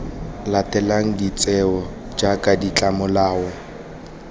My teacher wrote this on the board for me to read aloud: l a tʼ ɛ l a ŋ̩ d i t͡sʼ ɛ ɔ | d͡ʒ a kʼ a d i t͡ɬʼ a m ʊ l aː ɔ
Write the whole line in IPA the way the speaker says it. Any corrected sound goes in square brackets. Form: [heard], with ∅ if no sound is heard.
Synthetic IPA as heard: l a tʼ ɛ l a ŋ̩ d i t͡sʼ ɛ ɔ | d͡ʒ a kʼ a d i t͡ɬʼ a m ʊ l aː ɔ

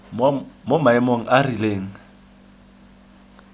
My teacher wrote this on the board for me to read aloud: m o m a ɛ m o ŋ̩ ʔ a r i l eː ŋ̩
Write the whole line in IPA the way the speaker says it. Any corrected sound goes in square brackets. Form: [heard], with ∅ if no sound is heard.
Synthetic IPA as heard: m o m a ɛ m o ŋ̩ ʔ a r i l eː ŋ̩

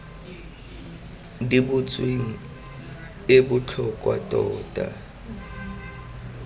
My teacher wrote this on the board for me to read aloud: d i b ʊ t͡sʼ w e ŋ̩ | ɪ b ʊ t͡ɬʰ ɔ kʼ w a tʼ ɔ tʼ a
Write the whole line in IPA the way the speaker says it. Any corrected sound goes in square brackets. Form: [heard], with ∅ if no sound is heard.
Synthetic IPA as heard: d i b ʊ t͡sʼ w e ŋ̩ | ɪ b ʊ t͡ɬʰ ɔ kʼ w a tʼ [ɔː] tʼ a

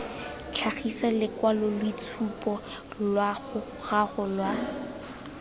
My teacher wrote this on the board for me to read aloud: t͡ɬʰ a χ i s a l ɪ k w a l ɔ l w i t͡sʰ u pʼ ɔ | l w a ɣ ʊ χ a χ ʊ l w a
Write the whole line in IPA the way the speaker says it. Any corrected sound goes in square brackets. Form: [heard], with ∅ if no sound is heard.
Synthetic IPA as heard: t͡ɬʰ a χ i s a l ɪ k w a l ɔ l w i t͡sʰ u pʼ ɔ | l w a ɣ ʊ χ a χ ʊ l w a

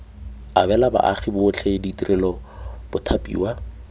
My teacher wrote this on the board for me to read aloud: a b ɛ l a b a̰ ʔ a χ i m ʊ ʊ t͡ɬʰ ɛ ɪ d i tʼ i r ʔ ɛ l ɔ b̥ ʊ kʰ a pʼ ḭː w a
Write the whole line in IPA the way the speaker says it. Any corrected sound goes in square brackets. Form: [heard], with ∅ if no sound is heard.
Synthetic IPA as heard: a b ɛ l a b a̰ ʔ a χ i [b] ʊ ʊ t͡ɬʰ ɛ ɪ d i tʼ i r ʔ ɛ l ɔ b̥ ʊ [tʰ] a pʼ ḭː w a

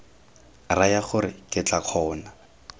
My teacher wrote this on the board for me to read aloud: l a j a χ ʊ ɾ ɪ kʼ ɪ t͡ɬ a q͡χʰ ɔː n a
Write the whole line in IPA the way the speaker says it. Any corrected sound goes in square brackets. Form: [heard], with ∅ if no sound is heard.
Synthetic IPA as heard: [r] a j a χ ʊ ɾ ɪ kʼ ɪ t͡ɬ a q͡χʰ ɔː n a

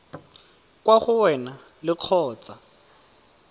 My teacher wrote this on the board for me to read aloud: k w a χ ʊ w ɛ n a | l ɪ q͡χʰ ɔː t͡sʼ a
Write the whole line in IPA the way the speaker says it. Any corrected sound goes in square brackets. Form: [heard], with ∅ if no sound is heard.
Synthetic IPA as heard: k w a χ ʊ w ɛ n a | l ɪ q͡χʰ ɔː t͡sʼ a

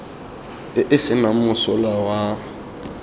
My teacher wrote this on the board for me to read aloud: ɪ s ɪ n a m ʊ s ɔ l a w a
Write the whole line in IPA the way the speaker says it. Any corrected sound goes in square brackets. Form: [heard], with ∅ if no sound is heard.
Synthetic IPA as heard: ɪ s ɪ n a m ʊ s ɔ l a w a

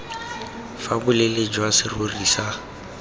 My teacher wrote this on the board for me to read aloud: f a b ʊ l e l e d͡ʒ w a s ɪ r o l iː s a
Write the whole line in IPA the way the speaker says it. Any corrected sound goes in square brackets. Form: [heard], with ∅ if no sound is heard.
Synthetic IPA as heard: f a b ʊ l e l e d͡ʒ w a s ɪ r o [r] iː s a

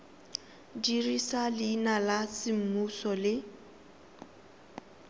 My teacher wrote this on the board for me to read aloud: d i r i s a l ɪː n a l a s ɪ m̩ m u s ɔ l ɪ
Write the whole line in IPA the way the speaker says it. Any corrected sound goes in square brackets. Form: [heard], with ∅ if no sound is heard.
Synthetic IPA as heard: d i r i s a l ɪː n a l a s ɪ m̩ m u s ɔ l ɪ

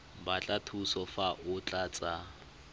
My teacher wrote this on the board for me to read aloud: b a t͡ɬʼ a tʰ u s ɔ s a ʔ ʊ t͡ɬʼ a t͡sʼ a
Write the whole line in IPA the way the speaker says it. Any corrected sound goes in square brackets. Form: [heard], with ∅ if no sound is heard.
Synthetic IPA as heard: b a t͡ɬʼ a tʰ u s ɔ [f] a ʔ ʊ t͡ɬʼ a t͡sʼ a

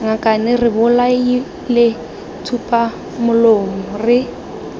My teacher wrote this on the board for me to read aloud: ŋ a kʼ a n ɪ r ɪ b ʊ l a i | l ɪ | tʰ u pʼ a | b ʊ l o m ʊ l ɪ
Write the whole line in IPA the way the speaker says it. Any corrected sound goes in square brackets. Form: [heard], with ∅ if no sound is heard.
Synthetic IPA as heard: ŋ a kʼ a n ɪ r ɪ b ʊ l a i | l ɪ | tʰ u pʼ a | [m] ʊ l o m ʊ [r] ɪ

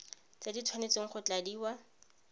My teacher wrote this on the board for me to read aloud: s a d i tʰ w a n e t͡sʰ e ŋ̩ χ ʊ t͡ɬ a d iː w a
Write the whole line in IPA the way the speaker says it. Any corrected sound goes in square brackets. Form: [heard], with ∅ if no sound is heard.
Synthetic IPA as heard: [t͡s] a d i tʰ w a n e [t͡s] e ŋ̩ χ ʊ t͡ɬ a d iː w a

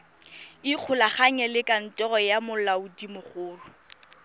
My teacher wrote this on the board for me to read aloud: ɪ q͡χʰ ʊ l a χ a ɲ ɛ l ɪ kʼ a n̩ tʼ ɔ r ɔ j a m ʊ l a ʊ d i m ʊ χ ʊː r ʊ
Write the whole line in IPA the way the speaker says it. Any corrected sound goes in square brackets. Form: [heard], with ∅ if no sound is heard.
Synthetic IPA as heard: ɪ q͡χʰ ʊ l a χ a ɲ ɛ l ɪ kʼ a n̩ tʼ ɔ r ɔ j a m ʊ l a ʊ d i m ʊ χ ʊː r ʊ

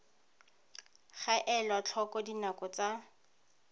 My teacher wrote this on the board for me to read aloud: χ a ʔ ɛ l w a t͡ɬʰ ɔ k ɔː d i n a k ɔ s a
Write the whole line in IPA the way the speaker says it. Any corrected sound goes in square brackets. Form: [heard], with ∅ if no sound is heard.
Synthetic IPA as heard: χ a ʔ ɛ l w a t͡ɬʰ ɔ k [ɔ] d i n a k ɔ [t͡s] a

